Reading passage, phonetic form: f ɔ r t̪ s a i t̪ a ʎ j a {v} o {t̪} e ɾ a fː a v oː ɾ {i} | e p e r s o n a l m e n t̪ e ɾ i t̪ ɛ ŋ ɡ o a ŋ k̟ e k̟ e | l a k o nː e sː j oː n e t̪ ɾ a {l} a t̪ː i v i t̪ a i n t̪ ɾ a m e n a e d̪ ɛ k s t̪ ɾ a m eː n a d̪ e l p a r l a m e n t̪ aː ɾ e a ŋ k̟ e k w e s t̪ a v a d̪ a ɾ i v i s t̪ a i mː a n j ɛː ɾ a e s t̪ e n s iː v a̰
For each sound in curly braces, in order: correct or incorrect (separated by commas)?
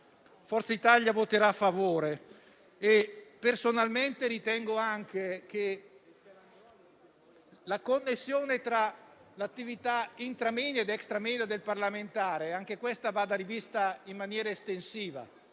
correct, correct, incorrect, correct